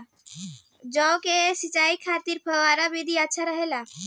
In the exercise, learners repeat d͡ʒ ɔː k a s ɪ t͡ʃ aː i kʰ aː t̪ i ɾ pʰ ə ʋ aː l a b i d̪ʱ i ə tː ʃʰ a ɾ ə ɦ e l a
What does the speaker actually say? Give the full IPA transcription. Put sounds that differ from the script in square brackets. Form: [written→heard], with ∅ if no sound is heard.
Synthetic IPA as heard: d͡ʒ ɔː k [a→e] s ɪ t͡ʃ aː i kʰ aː t̪ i ɾ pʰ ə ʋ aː [l→ɾ] a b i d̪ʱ i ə tː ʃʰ a ɾ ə ɦ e l a

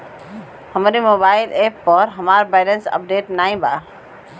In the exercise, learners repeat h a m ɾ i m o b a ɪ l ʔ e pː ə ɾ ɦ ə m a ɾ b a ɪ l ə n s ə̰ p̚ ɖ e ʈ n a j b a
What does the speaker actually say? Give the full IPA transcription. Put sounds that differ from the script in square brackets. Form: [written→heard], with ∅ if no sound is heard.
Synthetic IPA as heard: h [a→ə] m ɾ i m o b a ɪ l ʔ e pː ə ɾ ɦ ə m a ɾ b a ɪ l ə n s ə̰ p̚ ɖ e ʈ n a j b a

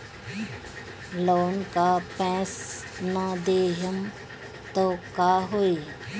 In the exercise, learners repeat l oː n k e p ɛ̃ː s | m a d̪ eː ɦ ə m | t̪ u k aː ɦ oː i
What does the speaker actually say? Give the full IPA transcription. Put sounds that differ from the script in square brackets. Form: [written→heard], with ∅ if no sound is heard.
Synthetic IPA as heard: l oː n k [e→a] p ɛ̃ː s | [m→n] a d̪ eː ɦ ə m | t̪ [u→o] k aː ɦ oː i

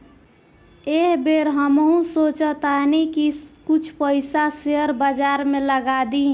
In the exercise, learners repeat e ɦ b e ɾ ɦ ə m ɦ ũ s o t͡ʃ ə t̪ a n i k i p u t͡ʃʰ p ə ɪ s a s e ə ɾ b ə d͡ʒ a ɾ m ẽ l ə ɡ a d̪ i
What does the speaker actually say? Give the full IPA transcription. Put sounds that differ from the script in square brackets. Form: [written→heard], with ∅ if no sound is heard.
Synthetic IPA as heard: e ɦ b e ɾ ɦ ə m ɦ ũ s o t͡ʃ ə t̪ a n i k i [p→k] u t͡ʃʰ p ə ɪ s a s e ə ɾ b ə d͡ʒ a ɾ m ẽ l ə ɡ a d̪ i

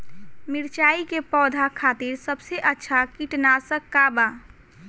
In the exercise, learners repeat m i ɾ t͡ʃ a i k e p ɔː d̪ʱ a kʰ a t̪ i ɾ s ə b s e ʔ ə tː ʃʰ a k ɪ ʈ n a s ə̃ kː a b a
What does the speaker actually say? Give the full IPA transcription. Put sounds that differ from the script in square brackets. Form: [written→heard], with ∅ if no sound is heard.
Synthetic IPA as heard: m i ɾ t͡ʃ a i k e p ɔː d̪ʱ a kʰ a t̪ i ɾ s ə b s e ʔ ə tː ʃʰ a k [ɪ→i] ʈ n a s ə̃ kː a b a

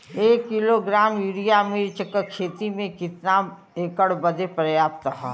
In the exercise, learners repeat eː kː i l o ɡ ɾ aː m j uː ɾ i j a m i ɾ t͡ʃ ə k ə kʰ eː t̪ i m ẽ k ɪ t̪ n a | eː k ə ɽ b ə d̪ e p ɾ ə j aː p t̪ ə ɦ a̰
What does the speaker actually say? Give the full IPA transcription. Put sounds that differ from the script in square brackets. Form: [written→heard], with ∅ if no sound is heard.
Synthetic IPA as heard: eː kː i l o ɡ ɾ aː m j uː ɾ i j a m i ɾ t͡ʃ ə k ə kʰ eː t̪ i m ẽ k ɪ t̪ n a | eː k ə ɽ b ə d̪ e p ɾ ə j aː p t̪ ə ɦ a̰

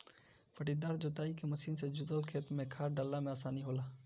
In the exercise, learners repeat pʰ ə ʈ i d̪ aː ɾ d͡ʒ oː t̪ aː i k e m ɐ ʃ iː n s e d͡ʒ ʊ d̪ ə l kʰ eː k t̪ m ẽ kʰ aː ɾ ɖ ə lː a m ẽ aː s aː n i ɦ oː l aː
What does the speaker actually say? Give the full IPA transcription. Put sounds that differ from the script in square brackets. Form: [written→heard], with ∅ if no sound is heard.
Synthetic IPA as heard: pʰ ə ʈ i d̪ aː ɾ d͡ʒ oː t̪ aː i k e m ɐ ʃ iː n s e d͡ʒ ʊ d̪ ə l kʰ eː [k→∅] t̪ m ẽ kʰ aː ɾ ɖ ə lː a m ẽ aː s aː n i ɦ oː l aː

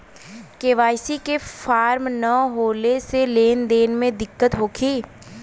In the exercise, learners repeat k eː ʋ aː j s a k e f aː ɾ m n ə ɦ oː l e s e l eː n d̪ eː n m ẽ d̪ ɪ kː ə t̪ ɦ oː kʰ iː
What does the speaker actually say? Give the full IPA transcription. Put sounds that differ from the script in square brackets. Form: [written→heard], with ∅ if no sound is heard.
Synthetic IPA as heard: k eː ʋ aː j s [a→i] k e f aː ɾ m n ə ɦ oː l e s e l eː n d̪ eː n m ẽ d̪ ɪ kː ə t̪ ɦ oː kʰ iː

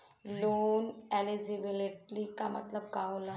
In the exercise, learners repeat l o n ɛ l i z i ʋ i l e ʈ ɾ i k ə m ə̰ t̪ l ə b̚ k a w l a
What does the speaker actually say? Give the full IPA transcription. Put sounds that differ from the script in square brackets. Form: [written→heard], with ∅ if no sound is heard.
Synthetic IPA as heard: l o n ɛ l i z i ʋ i l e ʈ [ɾ→l] i k [ə→a] m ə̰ t̪ l ə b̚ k a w l a

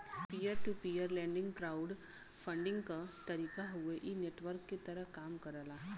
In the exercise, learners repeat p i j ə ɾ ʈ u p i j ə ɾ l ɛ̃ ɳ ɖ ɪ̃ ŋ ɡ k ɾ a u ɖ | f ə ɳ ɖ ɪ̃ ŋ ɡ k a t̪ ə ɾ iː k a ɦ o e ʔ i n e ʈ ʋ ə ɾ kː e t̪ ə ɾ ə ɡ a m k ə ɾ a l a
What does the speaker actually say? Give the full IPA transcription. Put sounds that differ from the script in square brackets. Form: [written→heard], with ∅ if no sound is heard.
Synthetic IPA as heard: p i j ə ɾ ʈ u p i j ə ɾ l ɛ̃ ɳ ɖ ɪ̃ ŋ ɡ k ɾ a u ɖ | f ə ɳ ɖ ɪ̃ ŋ ɡ k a t̪ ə ɾ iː k a ɦ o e ʔ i n e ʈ ʋ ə ɾ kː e t̪ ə ɾ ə [ɡ→k] a m k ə ɾ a l a

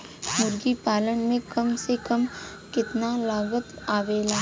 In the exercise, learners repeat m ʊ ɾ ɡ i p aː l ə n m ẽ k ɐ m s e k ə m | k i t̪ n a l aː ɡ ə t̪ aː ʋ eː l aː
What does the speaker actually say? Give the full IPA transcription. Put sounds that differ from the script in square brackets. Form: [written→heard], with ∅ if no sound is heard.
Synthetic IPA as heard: m ʊ ɾ ɡ i p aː l ə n m ẽ k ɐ m s e k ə m | k [i→ɪ] t̪ n a l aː ɡ ə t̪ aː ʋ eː l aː

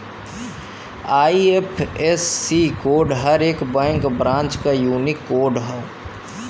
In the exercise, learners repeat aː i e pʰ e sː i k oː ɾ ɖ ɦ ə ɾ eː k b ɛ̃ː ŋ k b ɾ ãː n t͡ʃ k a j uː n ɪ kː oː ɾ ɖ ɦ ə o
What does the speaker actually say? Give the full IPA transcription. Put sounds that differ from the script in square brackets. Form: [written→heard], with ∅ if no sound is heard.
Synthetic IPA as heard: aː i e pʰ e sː i k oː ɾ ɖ ɦ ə ɾ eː k b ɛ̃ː ŋ k b ɾ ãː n t͡ʃ k a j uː n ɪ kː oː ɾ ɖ ɦ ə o

